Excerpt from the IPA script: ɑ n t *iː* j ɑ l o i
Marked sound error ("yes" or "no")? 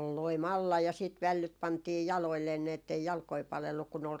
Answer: no